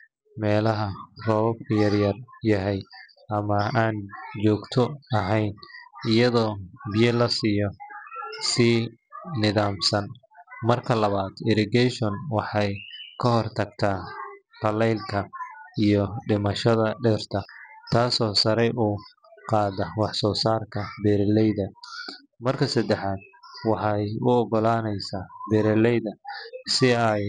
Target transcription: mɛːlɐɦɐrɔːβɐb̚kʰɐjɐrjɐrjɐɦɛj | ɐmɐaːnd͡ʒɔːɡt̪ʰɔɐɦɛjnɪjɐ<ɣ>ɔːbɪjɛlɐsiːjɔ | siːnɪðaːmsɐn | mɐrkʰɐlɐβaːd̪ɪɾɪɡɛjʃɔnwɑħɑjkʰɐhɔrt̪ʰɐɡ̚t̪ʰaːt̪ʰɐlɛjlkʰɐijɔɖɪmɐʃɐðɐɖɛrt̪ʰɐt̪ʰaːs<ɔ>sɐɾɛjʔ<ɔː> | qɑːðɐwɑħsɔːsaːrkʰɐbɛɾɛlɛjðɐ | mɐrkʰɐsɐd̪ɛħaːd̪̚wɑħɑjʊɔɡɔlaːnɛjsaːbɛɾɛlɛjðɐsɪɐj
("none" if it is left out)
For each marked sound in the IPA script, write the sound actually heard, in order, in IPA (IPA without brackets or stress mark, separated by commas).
ð, ɔː, uː